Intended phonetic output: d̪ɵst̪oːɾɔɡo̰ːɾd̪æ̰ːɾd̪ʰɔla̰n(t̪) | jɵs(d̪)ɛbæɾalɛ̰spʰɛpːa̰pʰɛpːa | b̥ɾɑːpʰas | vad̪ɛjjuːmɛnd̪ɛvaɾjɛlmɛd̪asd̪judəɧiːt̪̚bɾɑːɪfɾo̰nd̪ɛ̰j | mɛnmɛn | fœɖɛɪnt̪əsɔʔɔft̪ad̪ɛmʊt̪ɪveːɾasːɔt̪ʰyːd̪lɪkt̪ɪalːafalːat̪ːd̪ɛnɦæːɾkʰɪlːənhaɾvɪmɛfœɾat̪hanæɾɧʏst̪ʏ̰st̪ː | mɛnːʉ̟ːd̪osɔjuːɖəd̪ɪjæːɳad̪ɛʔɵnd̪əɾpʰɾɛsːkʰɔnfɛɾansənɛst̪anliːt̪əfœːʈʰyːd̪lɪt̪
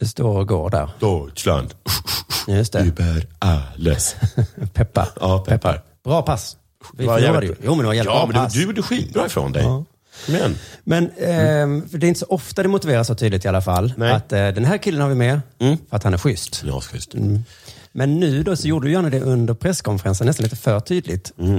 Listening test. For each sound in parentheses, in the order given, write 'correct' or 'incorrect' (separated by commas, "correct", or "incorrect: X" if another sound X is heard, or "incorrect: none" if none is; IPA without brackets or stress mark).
incorrect: d̪, incorrect: t̪